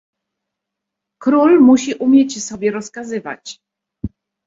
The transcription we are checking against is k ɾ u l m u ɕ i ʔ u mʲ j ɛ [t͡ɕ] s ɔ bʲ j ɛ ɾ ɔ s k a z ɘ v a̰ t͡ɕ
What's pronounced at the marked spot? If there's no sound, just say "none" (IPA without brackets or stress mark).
t͡ɕ